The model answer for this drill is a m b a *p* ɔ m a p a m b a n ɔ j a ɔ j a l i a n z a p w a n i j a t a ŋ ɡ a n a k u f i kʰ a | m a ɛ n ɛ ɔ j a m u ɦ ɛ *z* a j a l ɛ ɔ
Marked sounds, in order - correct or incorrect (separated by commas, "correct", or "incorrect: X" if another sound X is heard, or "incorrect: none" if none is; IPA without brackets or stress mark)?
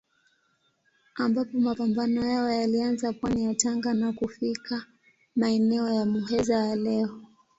correct, correct